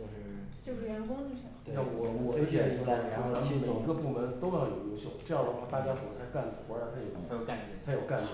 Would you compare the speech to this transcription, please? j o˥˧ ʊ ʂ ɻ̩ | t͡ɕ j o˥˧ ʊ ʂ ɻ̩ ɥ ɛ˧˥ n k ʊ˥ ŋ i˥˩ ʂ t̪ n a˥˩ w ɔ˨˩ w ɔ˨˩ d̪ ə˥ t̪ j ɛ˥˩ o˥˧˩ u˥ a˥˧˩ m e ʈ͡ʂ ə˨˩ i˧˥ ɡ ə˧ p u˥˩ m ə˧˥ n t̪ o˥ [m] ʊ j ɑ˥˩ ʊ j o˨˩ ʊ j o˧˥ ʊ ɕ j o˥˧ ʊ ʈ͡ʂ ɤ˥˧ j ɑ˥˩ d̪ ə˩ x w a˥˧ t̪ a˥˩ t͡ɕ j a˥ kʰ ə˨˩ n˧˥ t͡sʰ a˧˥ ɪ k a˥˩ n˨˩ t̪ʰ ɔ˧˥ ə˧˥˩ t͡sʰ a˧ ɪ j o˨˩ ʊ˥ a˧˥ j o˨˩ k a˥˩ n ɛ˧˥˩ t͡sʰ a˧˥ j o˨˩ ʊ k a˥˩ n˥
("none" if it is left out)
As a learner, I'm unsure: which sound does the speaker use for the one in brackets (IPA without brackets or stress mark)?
none